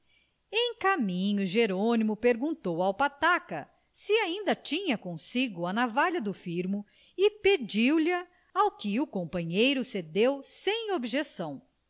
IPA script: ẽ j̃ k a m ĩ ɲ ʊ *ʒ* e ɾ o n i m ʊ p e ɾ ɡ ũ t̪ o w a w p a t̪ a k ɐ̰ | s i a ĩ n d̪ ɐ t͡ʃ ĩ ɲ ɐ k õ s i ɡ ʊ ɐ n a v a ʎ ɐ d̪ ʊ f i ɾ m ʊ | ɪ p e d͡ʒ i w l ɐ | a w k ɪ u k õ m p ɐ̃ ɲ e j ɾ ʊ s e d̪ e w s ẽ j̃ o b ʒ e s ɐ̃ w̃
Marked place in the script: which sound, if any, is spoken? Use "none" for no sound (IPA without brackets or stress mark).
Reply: ʒ